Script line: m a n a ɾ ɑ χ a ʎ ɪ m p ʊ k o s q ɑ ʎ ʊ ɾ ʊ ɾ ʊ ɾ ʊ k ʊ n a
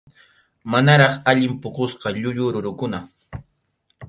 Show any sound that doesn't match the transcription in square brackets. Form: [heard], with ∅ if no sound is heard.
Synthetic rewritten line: m a n a ɾ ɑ χ a ʎ ɪ m p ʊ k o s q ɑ ʎ ʊ [ʎ] ʊ ɾ ʊ ɾ ʊ k ʊ n a